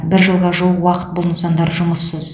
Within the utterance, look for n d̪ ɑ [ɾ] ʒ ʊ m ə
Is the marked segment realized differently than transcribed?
no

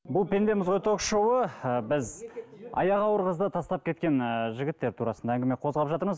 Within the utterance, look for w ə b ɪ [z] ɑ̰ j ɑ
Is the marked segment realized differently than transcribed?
no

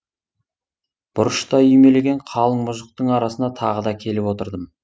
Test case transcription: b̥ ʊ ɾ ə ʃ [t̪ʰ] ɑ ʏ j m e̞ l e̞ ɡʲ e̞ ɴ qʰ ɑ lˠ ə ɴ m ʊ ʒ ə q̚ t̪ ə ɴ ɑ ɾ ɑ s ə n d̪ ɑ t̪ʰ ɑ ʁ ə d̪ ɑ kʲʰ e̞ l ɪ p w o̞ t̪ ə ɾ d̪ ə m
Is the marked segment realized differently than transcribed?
yes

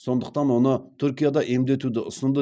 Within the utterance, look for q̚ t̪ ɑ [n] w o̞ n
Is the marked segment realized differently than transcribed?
no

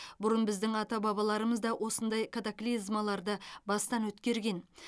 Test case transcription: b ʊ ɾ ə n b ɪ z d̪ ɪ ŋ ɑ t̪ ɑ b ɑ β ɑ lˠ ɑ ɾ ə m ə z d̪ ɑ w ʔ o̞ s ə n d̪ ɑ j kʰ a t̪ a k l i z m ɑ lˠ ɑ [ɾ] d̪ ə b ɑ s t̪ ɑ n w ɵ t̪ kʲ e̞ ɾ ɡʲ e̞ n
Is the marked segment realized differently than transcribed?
no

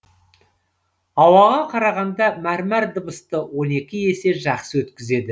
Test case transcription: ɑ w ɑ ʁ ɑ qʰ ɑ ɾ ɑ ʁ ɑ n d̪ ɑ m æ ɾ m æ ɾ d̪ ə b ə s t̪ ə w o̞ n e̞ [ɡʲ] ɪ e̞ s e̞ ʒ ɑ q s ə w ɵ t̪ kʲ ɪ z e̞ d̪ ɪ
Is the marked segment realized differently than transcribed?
yes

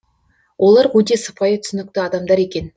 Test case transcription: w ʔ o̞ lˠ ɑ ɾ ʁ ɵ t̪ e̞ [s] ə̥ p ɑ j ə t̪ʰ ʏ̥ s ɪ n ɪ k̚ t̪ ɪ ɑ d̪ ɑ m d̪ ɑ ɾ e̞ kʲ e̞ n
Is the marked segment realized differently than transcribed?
no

